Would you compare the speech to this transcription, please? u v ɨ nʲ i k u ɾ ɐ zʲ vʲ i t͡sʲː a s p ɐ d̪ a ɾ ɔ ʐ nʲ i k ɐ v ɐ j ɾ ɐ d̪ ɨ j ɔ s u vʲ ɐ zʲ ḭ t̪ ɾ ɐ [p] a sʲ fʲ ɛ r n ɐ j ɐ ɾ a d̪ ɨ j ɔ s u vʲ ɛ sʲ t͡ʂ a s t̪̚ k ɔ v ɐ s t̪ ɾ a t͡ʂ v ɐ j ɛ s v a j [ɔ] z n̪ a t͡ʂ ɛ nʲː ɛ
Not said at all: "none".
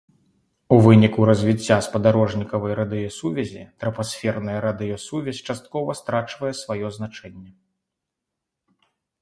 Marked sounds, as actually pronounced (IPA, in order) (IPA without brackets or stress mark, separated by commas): p, ɔ